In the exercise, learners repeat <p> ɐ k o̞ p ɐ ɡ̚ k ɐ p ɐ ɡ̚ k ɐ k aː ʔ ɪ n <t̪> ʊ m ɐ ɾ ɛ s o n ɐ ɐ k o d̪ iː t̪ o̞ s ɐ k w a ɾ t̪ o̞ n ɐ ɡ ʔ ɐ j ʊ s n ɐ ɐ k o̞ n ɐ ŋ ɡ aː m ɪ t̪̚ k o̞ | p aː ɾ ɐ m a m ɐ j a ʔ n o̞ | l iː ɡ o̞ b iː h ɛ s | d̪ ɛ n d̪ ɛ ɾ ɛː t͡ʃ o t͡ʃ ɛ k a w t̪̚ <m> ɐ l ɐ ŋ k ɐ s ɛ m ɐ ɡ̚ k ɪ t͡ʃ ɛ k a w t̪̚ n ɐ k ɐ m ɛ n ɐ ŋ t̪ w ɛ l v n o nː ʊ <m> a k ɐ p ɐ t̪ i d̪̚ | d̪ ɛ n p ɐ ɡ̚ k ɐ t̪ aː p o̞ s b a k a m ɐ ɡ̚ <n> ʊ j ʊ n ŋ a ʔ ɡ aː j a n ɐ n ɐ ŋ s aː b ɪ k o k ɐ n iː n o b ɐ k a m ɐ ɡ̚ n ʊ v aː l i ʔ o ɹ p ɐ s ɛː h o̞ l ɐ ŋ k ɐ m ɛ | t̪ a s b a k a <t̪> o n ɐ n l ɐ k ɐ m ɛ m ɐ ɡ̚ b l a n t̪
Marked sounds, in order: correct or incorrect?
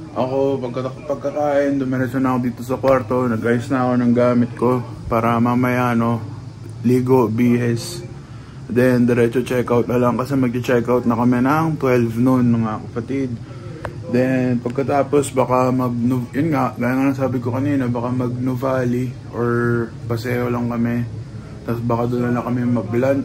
incorrect: ʔ, incorrect: d̪, incorrect: n, incorrect: ŋ, correct, incorrect: d̪

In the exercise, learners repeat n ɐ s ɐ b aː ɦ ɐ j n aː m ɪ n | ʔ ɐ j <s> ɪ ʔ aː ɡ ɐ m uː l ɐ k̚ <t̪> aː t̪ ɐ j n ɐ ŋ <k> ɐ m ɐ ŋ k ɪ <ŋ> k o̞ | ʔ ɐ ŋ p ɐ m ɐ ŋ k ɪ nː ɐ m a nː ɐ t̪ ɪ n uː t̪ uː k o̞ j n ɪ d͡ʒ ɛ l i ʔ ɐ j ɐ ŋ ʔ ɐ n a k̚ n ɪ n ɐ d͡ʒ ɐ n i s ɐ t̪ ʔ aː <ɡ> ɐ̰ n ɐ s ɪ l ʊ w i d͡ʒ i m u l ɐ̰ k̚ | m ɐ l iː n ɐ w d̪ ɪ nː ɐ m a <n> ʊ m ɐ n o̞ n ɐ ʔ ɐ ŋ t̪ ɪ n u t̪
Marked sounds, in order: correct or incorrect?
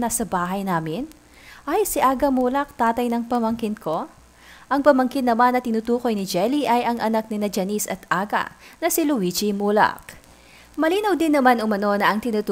correct, correct, incorrect: p, incorrect: n, correct, correct

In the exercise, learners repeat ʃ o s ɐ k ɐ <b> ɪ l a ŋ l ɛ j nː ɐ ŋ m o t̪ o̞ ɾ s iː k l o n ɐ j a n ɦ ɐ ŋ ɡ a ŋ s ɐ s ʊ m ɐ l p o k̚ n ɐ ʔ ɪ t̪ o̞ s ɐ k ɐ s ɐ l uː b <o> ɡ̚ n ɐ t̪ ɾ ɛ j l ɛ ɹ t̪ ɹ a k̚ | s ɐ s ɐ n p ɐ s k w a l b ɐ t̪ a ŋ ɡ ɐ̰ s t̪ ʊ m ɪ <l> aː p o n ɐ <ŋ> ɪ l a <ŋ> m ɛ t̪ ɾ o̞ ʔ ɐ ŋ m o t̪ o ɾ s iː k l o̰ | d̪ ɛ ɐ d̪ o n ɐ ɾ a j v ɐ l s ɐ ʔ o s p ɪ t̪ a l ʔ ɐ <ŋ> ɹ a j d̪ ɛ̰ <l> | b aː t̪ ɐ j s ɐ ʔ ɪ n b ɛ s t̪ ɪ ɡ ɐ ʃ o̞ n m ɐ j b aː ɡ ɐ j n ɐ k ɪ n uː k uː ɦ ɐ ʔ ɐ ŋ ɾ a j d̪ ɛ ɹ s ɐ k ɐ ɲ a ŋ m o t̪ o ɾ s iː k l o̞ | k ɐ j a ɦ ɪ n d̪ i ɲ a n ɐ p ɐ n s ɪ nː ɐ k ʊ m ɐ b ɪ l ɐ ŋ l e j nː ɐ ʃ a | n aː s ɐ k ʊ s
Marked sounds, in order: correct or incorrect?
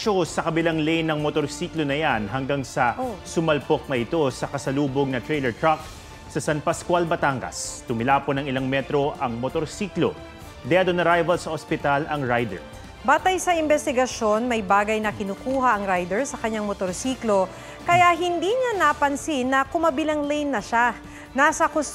correct, correct, correct, correct, correct, correct, incorrect: ɹ

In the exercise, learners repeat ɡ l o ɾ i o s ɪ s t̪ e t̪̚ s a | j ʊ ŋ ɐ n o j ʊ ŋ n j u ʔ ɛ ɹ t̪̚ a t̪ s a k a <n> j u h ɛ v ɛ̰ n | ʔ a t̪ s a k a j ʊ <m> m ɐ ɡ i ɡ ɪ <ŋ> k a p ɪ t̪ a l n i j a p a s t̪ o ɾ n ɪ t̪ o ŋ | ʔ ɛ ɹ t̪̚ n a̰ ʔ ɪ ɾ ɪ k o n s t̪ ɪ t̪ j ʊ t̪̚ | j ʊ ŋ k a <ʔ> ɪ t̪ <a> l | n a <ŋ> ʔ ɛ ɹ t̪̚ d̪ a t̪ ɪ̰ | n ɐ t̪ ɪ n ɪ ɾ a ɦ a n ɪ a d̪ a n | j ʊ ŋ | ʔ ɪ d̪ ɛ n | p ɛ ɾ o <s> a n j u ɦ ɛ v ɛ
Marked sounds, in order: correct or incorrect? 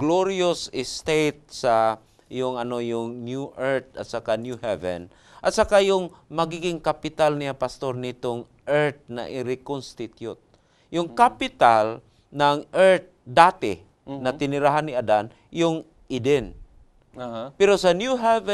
correct, incorrect: ŋ, correct, incorrect: p, correct, correct, correct

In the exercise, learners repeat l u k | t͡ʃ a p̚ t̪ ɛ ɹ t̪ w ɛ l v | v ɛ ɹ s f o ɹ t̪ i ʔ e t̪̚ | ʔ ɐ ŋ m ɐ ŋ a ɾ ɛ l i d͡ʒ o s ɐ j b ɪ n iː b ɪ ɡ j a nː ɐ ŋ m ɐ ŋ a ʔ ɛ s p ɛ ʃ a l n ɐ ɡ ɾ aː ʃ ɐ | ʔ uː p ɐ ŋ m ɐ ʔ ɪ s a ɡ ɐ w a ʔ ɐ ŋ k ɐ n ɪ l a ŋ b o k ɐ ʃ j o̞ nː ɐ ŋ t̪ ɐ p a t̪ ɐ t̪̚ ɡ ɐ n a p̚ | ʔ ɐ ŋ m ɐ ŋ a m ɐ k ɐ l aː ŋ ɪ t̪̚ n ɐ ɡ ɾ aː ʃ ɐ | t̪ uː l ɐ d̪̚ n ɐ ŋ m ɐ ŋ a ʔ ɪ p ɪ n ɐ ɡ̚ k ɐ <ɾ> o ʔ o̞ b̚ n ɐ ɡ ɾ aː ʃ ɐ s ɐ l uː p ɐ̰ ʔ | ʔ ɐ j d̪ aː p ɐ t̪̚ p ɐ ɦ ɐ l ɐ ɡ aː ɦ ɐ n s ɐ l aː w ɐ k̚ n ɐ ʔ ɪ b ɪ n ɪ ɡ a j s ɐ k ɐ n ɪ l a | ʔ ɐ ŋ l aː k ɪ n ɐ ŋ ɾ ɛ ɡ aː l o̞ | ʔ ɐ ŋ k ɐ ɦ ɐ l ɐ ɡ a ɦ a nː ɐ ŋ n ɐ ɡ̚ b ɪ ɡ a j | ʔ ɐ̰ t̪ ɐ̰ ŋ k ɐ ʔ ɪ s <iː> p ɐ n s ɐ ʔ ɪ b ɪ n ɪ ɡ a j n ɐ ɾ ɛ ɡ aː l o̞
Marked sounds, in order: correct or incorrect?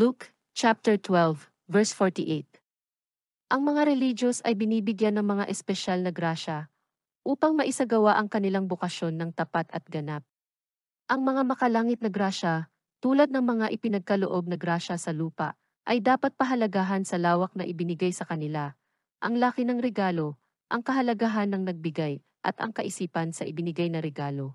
incorrect: l, correct

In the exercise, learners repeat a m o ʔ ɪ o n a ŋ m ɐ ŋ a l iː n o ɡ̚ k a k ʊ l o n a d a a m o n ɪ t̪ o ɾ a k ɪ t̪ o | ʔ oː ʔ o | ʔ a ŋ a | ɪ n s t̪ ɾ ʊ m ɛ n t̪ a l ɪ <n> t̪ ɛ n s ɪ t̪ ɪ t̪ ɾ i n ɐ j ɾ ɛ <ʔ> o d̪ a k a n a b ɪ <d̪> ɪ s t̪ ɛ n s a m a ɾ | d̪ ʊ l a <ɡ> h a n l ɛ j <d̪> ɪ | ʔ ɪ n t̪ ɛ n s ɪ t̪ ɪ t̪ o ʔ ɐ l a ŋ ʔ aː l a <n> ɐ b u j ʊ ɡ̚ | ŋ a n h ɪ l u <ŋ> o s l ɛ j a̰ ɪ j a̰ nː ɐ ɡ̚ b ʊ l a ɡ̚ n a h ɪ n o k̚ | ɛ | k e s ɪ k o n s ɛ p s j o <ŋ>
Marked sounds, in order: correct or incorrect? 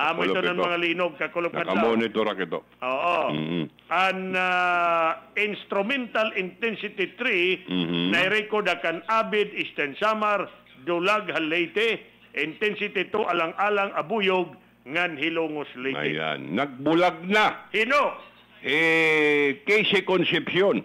correct, incorrect: k, correct, correct, incorrect: t̪, incorrect: ŋ, correct, incorrect: n

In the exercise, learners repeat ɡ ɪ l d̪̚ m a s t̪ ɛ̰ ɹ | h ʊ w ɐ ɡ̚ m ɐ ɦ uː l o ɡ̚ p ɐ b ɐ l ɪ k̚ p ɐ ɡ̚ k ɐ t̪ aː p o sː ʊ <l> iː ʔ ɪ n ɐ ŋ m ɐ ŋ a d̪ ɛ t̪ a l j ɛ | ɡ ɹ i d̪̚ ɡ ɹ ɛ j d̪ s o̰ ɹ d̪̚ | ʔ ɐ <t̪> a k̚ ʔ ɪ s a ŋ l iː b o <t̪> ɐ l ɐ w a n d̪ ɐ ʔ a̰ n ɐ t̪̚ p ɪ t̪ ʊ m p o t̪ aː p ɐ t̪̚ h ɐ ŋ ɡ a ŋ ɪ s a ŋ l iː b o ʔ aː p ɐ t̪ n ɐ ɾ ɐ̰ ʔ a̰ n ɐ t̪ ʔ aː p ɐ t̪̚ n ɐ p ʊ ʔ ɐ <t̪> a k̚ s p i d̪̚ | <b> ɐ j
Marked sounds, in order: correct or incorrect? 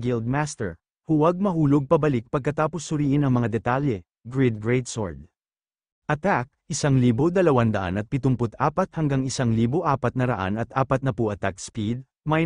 incorrect: ɾ, correct, incorrect: d̪, correct, incorrect: m

